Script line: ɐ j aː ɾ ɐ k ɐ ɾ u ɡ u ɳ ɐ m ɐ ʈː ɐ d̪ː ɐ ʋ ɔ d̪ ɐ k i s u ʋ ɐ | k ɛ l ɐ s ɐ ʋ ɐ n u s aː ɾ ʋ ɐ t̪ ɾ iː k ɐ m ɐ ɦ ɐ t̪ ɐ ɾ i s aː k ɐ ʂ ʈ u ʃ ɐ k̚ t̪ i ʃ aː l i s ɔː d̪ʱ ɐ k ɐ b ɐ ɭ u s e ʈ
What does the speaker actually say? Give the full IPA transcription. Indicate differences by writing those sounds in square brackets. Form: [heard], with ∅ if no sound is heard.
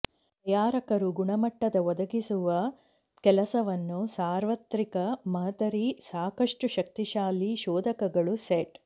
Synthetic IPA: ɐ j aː ɾ ɐ k ɐ ɾ u ɡ u ɳ ɐ m ɐ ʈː ɐ [d̪] ɐ ʋ ɔ d̪ ɐ [ɡ] i s u ʋ ɐ | k ɛ l ɐ s ɐ ʋ ɐ [nː] u s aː ɾ ʋ ɐ t̪ ɾ [i] k ɐ m ɐ ɦ ɐ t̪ ɐ ɾ i s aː k ɐ ʂ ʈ u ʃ ɐ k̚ t̪ i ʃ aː l i [ʃ] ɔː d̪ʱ ɐ k ɐ [ɡ] ɐ ɭ u s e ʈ